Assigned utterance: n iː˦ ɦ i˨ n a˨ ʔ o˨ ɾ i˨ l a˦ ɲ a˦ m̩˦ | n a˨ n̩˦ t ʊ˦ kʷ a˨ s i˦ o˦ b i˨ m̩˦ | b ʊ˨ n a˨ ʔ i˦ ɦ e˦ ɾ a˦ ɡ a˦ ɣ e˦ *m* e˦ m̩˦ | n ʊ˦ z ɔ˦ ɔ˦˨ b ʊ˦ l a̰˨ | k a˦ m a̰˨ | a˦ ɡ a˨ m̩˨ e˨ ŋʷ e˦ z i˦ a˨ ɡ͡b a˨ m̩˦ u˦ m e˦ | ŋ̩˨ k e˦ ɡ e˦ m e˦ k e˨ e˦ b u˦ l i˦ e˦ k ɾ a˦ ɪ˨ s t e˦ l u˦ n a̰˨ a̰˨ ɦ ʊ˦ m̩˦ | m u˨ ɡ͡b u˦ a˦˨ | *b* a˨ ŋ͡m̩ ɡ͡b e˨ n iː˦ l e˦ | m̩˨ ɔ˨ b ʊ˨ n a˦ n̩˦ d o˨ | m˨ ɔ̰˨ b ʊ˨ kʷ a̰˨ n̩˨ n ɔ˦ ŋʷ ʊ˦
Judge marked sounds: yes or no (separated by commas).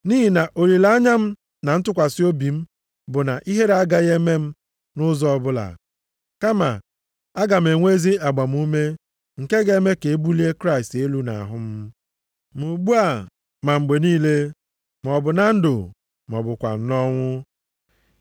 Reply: yes, no